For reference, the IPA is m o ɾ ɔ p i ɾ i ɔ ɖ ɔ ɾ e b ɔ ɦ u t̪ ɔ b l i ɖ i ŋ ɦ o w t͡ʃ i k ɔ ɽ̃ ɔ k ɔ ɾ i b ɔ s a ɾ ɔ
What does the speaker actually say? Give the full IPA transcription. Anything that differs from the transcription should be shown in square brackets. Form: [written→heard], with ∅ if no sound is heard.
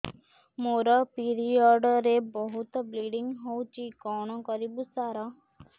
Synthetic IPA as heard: m o ɾ ɔ p i ɾ i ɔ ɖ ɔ ɾ e b ɔ ɦ u t̪ ɔ b l i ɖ i ŋ ɦ o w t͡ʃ i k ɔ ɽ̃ ɔ k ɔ ɾ i b [ɔ→u] s a ɾ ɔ